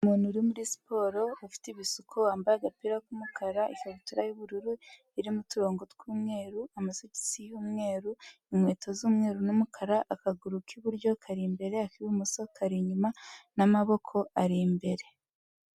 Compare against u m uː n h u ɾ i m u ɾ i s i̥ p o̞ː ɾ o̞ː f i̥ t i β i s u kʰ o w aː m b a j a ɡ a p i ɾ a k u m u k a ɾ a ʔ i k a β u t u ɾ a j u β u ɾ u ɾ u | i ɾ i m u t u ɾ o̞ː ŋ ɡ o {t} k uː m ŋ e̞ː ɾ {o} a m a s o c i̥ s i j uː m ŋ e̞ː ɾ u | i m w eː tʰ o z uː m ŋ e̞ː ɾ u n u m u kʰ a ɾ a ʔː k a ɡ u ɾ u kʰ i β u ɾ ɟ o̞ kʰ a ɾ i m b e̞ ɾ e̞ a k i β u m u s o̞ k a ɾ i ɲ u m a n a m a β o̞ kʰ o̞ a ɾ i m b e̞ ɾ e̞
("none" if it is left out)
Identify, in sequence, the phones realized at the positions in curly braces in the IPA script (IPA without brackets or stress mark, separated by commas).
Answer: t, u